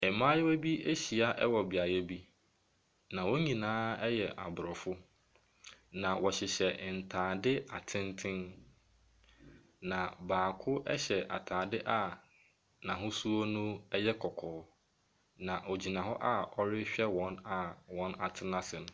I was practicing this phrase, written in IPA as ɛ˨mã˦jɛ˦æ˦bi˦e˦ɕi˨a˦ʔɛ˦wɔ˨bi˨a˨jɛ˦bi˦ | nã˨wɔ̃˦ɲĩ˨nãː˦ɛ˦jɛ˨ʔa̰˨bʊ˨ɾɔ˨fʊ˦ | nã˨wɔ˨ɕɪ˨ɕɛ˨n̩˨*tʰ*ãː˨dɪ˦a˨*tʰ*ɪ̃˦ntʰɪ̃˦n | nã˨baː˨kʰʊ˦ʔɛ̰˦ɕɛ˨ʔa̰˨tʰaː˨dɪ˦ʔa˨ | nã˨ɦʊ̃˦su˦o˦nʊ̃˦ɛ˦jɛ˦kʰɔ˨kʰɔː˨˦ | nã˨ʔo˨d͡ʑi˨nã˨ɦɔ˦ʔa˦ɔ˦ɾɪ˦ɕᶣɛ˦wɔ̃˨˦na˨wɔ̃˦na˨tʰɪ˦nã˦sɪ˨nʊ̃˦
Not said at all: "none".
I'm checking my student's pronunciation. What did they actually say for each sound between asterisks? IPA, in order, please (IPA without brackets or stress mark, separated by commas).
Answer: tʰ, tʰ